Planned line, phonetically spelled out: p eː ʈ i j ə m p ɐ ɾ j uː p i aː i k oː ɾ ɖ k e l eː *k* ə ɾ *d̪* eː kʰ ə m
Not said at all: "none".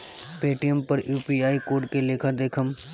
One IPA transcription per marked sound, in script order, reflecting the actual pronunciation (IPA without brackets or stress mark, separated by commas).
kʰ, d̪